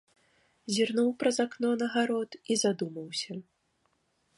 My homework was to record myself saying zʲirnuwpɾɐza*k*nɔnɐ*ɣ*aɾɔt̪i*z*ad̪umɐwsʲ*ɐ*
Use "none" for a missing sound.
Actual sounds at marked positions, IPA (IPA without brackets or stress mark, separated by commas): k, ɣ, z, ɐ